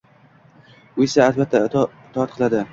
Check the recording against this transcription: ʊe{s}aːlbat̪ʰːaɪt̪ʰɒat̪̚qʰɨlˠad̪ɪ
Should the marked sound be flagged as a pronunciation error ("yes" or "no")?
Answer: no